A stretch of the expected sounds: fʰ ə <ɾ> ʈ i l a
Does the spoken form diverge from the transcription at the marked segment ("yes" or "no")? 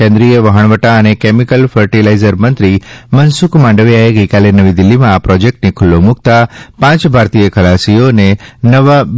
no